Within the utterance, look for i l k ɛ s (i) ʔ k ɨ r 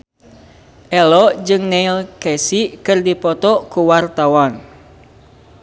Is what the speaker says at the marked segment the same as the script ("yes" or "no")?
yes